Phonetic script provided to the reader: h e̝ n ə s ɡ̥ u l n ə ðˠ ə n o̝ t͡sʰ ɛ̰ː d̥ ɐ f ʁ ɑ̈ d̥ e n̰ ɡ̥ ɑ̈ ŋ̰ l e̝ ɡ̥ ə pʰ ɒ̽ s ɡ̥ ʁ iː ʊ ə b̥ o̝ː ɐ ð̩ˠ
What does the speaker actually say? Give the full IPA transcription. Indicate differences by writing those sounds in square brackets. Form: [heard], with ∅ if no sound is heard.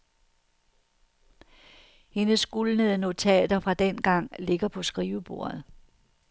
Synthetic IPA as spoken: h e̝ n ə s ɡ̥ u l n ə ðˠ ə n o̝ t͡sʰ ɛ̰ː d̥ ɐ f ʁ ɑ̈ d̥ e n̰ ɡ̥ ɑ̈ ŋ̰ l e̝ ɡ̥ [ɐ] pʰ ɒ̽ s ɡ̥ ʁ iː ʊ ə b̥ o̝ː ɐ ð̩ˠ